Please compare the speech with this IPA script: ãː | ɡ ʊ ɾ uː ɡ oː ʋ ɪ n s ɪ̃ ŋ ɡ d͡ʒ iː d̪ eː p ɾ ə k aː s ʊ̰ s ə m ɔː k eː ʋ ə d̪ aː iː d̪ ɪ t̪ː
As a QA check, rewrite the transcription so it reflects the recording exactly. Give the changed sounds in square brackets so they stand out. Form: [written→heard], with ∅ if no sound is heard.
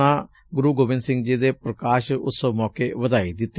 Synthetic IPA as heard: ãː | ɡ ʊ ɾ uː ɡ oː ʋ ɪ n s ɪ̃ ŋ ɡ d͡ʒ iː d̪ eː p ɾ ə k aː [s→ʃ] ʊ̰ s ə m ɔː k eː ʋ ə d̪ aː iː d̪ ɪ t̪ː